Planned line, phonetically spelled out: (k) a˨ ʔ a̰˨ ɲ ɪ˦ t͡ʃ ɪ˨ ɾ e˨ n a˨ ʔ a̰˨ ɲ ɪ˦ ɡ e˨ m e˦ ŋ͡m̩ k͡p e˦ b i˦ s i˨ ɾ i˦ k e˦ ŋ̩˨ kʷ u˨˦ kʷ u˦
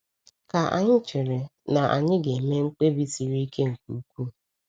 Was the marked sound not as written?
no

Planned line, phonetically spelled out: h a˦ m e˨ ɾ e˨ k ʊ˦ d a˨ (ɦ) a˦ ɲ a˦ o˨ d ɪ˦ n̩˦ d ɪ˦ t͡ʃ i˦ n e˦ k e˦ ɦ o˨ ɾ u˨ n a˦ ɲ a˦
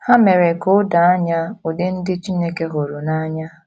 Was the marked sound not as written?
yes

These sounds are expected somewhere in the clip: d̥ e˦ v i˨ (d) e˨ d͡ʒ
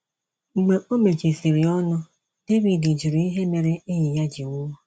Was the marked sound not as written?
no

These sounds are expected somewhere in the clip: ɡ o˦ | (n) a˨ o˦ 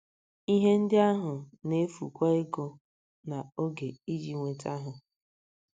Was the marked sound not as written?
no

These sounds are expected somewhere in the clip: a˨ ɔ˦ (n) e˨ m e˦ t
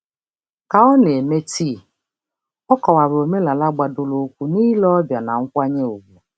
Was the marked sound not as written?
no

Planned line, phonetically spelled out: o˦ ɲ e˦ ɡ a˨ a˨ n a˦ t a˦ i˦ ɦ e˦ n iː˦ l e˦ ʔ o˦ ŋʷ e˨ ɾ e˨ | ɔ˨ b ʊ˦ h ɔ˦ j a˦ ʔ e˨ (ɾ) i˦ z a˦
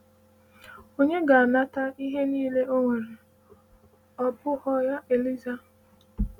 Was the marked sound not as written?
yes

